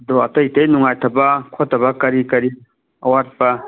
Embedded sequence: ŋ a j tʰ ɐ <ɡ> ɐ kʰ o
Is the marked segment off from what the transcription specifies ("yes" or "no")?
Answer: yes